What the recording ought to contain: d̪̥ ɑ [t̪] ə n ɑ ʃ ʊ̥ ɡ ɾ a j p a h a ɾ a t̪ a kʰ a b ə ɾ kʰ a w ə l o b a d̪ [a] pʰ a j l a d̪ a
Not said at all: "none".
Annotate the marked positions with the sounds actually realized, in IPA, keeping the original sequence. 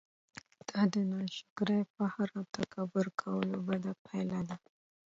d̪, a

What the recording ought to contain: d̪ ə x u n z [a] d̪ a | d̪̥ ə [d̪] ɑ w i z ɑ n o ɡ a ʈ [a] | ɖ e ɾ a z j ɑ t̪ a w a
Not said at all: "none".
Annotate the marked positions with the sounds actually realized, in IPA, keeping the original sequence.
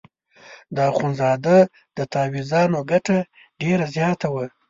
ɑ, t̪, a

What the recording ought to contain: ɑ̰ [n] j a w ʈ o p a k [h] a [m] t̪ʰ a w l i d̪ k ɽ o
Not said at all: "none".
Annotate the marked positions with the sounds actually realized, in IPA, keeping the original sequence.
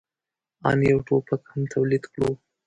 n, h, m

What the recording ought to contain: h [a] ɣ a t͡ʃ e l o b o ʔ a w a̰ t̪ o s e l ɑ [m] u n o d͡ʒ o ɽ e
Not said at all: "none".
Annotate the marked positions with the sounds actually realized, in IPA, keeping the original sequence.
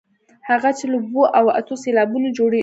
a, b

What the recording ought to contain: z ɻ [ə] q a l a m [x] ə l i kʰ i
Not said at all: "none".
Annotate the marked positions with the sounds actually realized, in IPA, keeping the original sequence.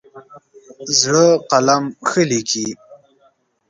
ə, x

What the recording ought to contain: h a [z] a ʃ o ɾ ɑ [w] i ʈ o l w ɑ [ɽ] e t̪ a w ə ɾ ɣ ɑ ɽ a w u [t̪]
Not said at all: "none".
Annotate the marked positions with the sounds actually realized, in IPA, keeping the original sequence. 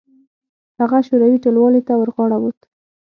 ɣ, w, l, t̪

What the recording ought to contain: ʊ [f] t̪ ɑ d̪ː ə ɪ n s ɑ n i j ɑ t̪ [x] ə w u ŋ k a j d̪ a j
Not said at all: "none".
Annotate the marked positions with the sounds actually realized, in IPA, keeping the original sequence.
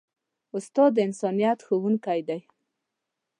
s, x

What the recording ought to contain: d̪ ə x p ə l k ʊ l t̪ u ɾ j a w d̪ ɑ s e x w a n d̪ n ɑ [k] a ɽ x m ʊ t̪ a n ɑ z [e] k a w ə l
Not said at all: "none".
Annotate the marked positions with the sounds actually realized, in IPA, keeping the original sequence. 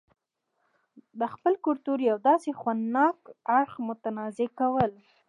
k, e

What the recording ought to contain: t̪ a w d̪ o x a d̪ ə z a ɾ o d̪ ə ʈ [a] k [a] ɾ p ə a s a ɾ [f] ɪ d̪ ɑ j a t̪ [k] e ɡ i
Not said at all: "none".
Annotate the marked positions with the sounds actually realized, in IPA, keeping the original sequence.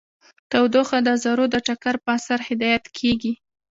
a, a, h, kʰ

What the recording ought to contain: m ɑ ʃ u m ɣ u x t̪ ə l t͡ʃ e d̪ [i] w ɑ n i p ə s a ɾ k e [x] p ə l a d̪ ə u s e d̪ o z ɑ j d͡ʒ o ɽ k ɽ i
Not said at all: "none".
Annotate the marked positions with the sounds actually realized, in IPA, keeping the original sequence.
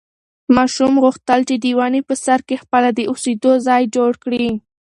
i, x

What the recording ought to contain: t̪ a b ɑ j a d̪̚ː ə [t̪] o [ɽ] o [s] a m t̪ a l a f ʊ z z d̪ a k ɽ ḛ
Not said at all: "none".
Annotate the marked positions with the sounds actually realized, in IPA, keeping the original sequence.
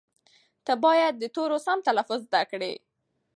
t̪, ɾ, s

